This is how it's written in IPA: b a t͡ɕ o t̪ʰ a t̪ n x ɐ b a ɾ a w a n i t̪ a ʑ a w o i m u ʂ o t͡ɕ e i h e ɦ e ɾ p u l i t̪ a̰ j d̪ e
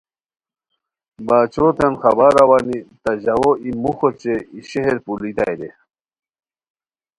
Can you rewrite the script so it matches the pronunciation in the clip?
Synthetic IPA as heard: b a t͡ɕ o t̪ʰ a n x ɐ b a ɾ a w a n i t̪ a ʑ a w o i m u x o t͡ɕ e i ɕ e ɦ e ɾ p u l i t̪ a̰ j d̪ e